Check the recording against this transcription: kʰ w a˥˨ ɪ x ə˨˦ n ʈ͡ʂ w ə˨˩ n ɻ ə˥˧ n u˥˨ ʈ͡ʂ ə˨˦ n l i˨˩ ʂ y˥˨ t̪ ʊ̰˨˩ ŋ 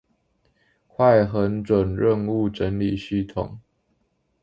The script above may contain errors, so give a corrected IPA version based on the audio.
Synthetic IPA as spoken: kʰ w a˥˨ ɪ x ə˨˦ n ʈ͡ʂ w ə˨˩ n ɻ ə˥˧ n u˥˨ ʈ͡ʂ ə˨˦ n l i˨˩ ɕ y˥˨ t̪ʰ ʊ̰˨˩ ŋ